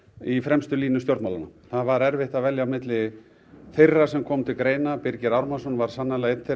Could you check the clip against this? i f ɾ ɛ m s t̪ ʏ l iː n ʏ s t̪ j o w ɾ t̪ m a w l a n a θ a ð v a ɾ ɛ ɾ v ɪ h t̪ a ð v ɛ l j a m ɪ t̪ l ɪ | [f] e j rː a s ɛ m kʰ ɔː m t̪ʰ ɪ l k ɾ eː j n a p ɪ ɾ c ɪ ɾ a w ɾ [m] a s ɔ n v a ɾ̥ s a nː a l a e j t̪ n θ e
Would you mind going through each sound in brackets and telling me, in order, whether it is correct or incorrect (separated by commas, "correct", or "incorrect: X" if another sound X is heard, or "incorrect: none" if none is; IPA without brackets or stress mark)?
incorrect: θ, correct